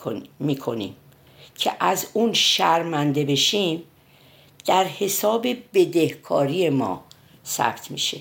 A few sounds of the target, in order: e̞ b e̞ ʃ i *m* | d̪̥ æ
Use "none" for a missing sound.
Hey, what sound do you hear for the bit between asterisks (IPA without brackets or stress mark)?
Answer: m